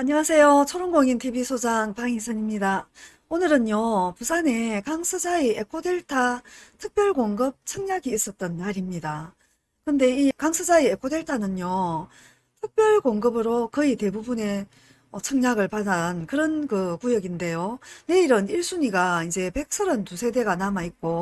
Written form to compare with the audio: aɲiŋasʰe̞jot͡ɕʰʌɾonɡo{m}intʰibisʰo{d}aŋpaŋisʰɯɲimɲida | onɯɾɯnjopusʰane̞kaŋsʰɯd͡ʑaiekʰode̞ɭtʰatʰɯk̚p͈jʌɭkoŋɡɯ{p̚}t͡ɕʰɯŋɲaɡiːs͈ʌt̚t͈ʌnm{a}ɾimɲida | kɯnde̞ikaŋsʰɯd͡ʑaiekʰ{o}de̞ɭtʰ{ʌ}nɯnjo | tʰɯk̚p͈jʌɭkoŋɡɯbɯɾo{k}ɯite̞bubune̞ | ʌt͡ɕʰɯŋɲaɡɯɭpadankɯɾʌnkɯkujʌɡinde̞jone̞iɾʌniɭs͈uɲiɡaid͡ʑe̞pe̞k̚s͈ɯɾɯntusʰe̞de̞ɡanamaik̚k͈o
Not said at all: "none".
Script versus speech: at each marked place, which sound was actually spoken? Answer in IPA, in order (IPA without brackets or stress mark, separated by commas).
ŋ, d͡ʑ, p̚, a, o, a, k